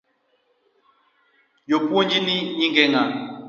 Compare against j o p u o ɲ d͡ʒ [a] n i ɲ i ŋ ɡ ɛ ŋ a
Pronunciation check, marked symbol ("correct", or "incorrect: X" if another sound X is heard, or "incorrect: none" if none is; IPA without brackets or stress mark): incorrect: i